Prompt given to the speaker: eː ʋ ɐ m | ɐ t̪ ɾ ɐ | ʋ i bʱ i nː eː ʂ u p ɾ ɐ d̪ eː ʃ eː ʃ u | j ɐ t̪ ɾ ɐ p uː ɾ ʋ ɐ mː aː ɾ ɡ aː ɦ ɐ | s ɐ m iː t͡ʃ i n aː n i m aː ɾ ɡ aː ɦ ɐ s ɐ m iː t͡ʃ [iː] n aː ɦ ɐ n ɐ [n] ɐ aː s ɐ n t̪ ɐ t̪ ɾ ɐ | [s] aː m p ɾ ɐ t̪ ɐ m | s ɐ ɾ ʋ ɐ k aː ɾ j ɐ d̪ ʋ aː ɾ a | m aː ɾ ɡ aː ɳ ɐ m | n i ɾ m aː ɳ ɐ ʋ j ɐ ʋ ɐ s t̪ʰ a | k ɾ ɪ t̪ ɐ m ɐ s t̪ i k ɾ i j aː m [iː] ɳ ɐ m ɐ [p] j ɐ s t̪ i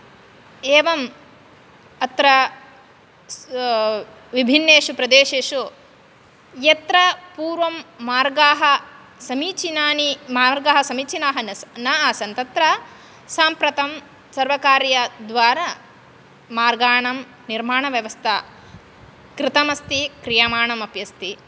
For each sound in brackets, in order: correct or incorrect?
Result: incorrect: i, correct, correct, incorrect: aː, correct

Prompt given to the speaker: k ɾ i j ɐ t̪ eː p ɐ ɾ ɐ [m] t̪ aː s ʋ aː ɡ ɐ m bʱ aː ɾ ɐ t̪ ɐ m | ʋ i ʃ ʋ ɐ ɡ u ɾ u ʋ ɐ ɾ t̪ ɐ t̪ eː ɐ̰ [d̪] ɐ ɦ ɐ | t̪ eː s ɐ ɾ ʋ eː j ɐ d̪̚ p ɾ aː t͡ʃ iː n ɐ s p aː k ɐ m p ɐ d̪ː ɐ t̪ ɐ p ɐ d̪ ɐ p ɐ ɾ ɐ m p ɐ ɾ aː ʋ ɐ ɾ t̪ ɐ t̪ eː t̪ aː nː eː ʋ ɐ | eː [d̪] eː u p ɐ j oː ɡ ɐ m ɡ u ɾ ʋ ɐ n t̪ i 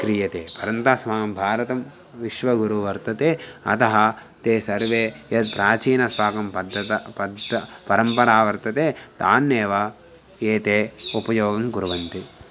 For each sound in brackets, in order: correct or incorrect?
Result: incorrect: n, incorrect: t̪, incorrect: t̪

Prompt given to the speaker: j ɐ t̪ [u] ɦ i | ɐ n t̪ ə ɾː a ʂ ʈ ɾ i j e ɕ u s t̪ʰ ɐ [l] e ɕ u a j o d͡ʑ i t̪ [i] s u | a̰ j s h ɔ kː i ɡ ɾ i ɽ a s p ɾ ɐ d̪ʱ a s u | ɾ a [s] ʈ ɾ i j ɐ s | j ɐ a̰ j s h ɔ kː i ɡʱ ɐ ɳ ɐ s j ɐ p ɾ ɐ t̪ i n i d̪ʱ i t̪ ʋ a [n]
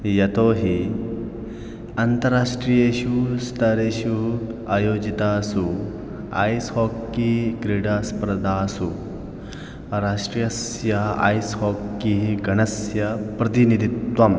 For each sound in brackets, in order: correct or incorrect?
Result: incorrect: o, incorrect: ɾ, incorrect: a, incorrect: ʂ, incorrect: m

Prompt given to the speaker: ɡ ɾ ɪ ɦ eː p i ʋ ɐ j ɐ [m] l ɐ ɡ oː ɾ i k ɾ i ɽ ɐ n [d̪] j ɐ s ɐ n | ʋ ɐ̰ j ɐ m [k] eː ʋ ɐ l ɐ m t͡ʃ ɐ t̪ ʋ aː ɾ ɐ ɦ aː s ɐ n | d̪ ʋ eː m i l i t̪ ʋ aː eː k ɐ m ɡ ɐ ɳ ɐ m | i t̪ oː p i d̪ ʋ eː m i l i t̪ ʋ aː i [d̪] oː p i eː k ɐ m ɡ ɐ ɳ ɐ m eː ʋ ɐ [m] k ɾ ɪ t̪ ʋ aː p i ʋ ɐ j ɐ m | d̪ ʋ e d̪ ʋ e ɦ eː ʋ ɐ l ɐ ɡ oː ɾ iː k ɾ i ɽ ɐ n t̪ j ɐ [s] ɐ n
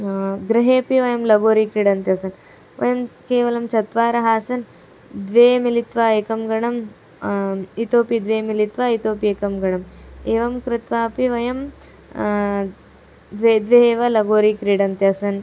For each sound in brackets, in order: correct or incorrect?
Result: correct, incorrect: t̪, correct, incorrect: t̪, correct, correct

